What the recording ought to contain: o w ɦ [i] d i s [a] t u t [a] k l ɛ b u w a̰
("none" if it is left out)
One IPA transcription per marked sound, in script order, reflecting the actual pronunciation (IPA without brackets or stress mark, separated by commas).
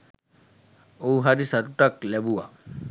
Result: a, a, a